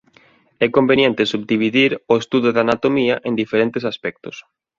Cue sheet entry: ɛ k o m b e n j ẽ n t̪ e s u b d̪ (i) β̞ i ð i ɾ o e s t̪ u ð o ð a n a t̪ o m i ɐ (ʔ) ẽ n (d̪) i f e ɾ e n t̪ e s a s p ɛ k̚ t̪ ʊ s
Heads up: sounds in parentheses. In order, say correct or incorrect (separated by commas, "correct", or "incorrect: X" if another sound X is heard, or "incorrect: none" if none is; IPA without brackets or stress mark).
correct, correct, correct